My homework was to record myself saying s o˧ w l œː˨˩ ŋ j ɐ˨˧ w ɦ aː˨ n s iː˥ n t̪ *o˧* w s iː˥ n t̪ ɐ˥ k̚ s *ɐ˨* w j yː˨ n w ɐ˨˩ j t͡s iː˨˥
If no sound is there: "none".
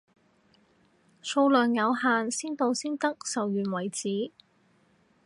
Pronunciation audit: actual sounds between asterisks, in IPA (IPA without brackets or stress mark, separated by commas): o˧, ɐ˨